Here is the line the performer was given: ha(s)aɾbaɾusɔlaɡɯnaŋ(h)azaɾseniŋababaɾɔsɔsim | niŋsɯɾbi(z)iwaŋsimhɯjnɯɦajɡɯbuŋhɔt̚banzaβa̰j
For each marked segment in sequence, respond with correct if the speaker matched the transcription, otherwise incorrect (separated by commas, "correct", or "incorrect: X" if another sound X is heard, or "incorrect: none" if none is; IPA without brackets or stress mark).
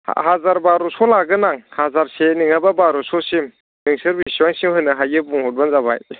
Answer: incorrect: z, correct, incorrect: s